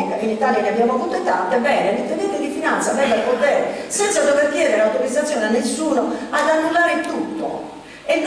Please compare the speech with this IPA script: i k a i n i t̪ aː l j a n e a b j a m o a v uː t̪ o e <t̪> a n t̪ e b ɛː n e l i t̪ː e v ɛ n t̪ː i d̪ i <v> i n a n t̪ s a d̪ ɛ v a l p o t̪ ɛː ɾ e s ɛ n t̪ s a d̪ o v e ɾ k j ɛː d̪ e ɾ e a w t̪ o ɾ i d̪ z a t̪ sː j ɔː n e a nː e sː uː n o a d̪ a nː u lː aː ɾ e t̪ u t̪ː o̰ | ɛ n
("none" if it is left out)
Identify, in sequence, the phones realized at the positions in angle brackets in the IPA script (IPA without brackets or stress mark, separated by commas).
t̪, f